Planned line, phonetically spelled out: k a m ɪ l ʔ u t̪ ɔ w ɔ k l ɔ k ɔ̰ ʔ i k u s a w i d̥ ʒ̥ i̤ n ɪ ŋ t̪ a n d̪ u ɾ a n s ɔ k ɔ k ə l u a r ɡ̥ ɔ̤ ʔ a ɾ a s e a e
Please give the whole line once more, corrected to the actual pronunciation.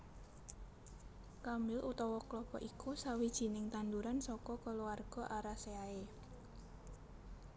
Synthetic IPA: k a m ɪ l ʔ u t̪ ɔ w ɔ k l ɔ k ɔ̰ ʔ i k u s a w i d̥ ʒ̥ i̤ n ɪ ŋ t̪ a n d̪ u ɾ a n s ɔ k ɔ k ə l u a r ɡ̥ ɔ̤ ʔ a ɾ a s e a e